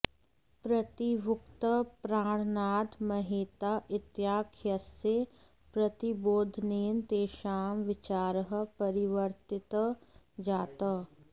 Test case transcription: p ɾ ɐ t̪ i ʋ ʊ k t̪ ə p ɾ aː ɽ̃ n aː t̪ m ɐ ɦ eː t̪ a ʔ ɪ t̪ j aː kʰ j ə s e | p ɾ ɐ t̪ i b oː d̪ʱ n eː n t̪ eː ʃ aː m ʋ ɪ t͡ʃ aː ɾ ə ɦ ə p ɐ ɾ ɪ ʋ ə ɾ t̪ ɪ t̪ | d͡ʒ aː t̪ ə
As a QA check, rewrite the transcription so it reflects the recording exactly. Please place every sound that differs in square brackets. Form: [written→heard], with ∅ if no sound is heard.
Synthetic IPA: p ɾ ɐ t̪ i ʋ ʊ k t̪ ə p ɾ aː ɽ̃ n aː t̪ m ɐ ɦ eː t̪ a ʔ ɪ t̪ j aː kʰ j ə s e | p ɾ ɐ t̪ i b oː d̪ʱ n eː n t̪ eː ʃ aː m ʋ ɪ t͡ʃ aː ɾ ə ɦ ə p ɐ ɾ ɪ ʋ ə ɾ t̪ ɪ t̪ | d͡ʒ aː t̪ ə